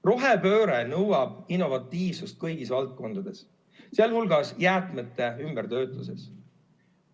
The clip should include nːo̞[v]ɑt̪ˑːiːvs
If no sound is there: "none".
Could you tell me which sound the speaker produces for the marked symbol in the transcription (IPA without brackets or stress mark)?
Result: v